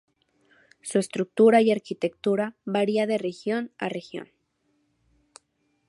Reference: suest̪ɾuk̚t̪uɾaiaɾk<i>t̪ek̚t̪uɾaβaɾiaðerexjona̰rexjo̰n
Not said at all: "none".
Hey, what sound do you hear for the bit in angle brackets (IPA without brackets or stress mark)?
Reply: i